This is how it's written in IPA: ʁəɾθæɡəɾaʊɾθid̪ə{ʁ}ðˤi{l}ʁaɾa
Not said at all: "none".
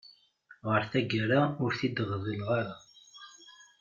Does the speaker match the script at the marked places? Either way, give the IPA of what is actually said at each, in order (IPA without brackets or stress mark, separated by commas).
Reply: ʁ, l